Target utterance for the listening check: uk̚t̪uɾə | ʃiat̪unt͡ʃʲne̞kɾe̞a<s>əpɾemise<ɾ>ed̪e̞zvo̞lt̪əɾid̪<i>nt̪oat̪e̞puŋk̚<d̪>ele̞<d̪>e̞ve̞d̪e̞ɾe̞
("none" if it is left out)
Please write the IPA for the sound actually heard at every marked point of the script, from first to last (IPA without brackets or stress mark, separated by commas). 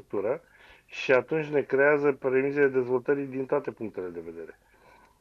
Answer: z, l, i, t̪, d̪